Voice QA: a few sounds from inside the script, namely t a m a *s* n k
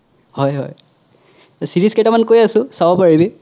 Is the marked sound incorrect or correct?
incorrect: none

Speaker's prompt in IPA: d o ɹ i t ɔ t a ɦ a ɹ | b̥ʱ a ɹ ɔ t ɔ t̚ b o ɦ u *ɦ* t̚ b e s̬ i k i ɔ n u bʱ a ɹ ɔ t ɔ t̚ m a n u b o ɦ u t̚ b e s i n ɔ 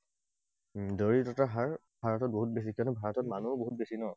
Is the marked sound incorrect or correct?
incorrect: none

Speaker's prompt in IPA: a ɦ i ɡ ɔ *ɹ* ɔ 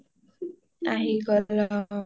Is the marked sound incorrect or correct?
incorrect: l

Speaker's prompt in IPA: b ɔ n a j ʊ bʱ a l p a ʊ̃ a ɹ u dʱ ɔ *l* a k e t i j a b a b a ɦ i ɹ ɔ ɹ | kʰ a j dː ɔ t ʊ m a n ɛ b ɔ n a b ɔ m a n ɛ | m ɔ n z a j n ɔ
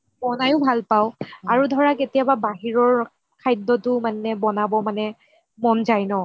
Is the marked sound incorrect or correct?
incorrect: ɹ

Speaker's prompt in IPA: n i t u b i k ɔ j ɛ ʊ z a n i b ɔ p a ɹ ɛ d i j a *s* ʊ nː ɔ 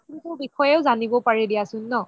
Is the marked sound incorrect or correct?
correct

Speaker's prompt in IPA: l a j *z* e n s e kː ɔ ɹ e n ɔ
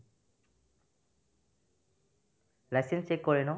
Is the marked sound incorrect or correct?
incorrect: s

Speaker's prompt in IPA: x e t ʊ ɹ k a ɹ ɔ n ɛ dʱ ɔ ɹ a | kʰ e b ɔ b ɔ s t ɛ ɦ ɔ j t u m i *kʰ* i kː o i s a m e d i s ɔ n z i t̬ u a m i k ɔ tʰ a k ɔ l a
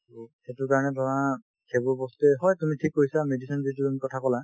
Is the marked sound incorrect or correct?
incorrect: tʰ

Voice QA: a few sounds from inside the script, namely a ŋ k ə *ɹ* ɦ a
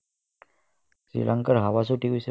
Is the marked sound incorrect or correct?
incorrect: ɾ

